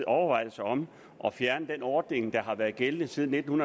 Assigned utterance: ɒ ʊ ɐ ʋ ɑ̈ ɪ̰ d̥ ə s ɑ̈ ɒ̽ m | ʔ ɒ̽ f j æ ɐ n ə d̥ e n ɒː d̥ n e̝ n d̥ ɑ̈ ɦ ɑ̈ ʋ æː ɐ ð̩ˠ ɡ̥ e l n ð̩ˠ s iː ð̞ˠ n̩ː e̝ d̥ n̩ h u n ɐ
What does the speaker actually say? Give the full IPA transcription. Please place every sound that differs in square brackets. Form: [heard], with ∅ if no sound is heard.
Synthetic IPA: ɒ ʊ ɐ ʋ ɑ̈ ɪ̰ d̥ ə s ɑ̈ ɒ̽ m | ʔ ɒ̽ f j æ ɐ n ə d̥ e n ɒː d̥ n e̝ [ŋ] d̥ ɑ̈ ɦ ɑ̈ ʋ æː ɐ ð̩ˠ ɡ̥ e l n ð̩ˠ s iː ð̞ˠ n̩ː e̝ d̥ n̩ h u n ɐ